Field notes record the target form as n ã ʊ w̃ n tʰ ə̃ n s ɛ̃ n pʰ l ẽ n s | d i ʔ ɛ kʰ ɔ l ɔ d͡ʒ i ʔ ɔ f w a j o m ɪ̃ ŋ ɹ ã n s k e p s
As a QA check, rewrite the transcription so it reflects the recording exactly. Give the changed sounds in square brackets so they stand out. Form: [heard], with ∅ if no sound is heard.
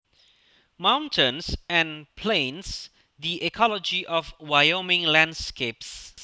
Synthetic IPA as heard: [m] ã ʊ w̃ n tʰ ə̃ n s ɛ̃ n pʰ l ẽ n s | d i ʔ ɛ kʰ ɔ l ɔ d͡ʒ i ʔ ɔ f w a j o m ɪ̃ ŋ [l] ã n s k e p s